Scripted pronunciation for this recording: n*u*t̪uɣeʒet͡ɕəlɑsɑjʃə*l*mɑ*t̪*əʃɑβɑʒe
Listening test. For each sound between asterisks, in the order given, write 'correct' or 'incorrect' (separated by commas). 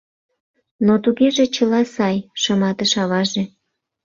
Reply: incorrect, incorrect, correct